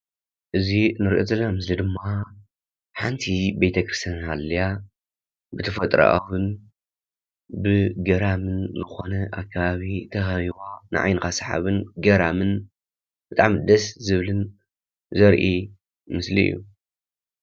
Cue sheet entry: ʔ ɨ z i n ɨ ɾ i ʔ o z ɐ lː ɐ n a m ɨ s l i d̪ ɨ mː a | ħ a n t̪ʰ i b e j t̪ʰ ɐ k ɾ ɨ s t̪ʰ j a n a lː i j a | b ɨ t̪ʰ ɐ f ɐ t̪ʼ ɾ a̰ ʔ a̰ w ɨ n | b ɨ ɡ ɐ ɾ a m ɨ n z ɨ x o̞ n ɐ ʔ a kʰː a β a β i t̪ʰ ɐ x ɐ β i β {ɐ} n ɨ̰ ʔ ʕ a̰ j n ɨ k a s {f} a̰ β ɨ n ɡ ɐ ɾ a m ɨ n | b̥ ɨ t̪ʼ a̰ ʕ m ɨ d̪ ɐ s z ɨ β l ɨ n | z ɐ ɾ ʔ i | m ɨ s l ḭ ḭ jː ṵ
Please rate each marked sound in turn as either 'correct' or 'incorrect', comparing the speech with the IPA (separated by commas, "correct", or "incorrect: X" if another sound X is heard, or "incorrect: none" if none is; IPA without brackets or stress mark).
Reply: incorrect: a, incorrect: ħ